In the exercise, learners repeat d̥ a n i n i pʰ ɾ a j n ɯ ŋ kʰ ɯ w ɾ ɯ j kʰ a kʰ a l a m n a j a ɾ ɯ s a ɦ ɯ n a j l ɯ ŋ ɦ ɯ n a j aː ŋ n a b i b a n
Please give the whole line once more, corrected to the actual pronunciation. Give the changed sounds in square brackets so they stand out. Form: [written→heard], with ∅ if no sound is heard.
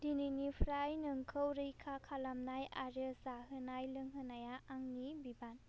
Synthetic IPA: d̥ [a→i] n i n i pʰ ɾ a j n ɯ ŋ kʰ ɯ w ɾ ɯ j kʰ a kʰ a l a m n a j a ɾ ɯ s a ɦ ɯ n a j l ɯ ŋ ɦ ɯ n a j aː ŋ n [a→i] b i b a n

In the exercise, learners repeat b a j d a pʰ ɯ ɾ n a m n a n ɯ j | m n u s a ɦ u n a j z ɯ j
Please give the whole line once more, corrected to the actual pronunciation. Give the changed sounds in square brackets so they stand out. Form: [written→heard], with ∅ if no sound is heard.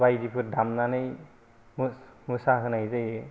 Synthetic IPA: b a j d [a→i] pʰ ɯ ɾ [n→d] a m n a n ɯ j | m [n→m] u s a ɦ [u→ɯ] n a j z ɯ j

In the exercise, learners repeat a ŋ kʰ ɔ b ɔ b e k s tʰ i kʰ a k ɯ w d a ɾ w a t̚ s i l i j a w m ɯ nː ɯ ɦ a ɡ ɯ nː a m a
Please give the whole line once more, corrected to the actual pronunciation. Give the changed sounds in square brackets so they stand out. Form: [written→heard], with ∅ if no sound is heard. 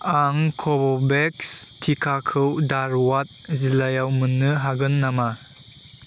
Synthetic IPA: a ŋ kʰ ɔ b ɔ b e k s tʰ i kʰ a [k→kʰ] ɯ w d a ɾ w a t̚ [s→z] i l [i→a] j a w m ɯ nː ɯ ɦ a ɡ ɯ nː a m a

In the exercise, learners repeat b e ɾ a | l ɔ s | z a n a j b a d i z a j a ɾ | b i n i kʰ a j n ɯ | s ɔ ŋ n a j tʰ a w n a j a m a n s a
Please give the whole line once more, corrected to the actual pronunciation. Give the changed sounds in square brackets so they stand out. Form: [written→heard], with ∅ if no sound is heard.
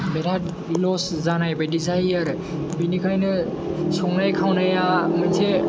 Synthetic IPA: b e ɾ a | l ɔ s | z a n a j b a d i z a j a ɾ | b i n i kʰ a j n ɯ | s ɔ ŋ n a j [tʰ→kʰ] a w n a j a m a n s [a→e]

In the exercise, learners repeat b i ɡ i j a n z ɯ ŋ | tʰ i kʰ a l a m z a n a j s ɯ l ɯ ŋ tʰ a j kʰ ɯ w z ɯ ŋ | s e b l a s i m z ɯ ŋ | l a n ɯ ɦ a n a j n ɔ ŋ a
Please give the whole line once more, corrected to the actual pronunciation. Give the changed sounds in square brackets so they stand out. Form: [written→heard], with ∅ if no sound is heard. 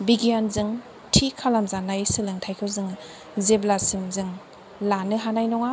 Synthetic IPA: b i ɡ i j a n z ɯ ŋ | tʰ i kʰ a l a m z a n a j s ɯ l ɯ ŋ tʰ a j kʰ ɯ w z ɯ ŋ | [s→z] e b l a s i m z ɯ ŋ | l a n ɯ ɦ a n a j n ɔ ŋ a

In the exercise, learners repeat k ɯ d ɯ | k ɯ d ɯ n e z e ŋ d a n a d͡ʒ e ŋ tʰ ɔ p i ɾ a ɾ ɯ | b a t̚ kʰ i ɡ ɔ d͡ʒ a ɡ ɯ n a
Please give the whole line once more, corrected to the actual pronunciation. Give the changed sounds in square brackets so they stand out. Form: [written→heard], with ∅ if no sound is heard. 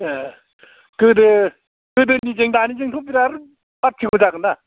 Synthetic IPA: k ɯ d ɯ | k ɯ d ɯ n [e→i] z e ŋ d a n [a→i] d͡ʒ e ŋ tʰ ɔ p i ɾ a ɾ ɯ | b a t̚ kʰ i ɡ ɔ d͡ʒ a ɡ ɯ n a

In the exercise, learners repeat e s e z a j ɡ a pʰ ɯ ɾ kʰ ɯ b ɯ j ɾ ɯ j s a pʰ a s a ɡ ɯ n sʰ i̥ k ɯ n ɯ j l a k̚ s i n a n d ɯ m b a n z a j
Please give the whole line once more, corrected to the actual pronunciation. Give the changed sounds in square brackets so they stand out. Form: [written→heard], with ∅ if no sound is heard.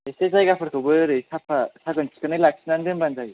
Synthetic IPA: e s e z a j ɡ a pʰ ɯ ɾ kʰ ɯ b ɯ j ɾ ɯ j s a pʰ a s a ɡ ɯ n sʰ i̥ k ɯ n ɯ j l a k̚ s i n a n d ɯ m b a n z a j

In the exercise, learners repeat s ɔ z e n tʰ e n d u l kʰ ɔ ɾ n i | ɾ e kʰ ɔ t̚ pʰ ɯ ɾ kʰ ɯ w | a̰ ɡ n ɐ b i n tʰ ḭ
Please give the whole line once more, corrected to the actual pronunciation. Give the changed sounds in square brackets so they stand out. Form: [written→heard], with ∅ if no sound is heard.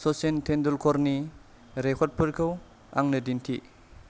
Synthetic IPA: s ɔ [z→s] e n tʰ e n d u l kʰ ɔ ɾ n i | ɾ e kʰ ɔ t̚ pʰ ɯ ɾ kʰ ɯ w | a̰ [ɡ→ŋ] n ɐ [b→d] i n tʰ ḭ

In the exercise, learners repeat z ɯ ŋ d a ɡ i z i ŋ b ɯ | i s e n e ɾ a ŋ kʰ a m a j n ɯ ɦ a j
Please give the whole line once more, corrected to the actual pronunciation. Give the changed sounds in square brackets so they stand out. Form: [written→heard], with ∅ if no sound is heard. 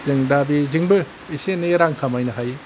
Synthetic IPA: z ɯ ŋ d a [ɡ→b] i z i ŋ b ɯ | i s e n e ɾ a ŋ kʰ a m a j n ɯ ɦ a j

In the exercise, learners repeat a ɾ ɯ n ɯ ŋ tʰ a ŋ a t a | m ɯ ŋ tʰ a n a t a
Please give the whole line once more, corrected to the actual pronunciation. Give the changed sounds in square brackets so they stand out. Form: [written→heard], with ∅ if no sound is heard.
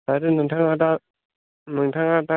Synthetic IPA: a ɾ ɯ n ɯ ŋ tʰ a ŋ a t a | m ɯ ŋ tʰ a [n→ŋ] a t a

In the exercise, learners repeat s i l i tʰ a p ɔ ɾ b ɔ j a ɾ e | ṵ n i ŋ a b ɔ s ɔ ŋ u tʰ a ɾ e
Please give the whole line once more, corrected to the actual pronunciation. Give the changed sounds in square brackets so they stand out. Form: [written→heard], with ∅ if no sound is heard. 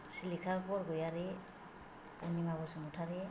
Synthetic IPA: s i l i [tʰ→kʰ] a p ɔ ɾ [b→ɡ] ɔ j a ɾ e | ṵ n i ŋ a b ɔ s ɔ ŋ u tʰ a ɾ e

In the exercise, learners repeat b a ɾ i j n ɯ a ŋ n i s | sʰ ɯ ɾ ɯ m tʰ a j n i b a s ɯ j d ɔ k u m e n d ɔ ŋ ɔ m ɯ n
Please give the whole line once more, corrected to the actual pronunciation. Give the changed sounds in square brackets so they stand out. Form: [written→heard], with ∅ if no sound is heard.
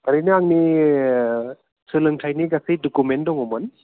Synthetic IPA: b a ɾ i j n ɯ a ŋ n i [s→∅] | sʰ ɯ [ɾ→l] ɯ [m→ŋ] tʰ a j n i [b→ɡ] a s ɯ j d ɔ k u m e n d ɔ ŋ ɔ m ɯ n

